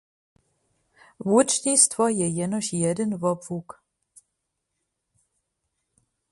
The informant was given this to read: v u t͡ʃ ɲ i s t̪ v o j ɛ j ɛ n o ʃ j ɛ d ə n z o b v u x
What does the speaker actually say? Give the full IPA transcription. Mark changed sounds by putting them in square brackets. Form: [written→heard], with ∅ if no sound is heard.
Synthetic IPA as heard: v u t͡ʃ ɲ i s t̪ v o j ɛ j ɛ n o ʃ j ɛ d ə n [z→v] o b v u [x→k]